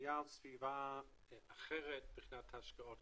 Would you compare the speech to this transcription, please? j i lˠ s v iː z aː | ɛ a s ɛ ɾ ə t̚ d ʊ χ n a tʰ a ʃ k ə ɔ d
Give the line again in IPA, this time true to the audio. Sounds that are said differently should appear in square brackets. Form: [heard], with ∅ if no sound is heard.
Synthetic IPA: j [a] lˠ s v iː [v] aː | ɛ a [χ] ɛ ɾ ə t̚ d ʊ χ n a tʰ a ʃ k ə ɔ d